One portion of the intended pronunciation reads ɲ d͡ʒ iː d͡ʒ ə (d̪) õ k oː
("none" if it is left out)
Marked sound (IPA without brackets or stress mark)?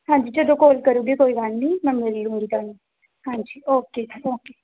d̪